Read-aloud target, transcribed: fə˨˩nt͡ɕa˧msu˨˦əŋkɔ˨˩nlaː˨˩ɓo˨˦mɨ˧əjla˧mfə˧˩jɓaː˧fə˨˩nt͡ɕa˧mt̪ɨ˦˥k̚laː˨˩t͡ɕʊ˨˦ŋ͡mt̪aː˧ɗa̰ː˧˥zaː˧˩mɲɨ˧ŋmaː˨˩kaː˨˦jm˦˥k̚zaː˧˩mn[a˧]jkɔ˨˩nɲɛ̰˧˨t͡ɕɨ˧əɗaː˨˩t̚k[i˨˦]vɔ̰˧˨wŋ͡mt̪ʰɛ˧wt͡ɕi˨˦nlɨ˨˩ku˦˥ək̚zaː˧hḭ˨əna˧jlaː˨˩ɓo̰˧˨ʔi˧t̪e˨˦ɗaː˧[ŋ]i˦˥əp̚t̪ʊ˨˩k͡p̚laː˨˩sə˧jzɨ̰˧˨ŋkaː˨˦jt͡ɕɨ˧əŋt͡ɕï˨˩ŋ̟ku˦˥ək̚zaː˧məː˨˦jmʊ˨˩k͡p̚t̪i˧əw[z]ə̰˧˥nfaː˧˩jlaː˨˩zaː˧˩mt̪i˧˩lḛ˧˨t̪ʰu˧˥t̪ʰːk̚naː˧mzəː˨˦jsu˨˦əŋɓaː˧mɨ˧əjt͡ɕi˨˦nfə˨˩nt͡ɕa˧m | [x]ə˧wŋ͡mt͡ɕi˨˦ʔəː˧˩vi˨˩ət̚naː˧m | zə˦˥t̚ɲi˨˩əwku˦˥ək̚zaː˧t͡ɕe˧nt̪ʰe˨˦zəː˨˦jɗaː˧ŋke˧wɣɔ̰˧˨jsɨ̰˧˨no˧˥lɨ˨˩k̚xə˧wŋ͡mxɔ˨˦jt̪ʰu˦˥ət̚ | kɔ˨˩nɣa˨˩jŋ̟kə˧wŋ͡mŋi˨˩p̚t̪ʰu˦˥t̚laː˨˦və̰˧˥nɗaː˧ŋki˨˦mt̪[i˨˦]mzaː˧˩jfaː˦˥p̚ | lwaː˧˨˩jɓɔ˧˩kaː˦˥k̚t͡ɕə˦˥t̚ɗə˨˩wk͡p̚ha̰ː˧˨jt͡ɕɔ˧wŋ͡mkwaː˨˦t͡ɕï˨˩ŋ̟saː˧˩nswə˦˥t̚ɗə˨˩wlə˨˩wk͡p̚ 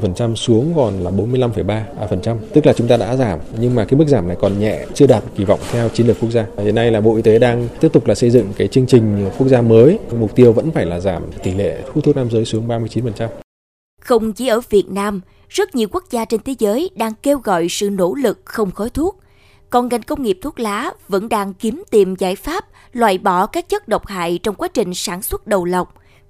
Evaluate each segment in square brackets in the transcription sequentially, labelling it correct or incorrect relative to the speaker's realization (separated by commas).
incorrect, incorrect, correct, incorrect, correct, incorrect